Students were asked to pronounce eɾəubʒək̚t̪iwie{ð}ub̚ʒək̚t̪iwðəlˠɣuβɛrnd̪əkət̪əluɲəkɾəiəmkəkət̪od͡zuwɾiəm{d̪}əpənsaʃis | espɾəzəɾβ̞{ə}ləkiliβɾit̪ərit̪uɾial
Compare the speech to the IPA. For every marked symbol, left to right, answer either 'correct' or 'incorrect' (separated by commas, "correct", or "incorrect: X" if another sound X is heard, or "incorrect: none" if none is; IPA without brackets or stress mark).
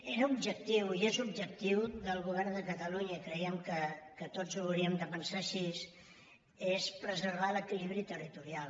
incorrect: z, correct, incorrect: a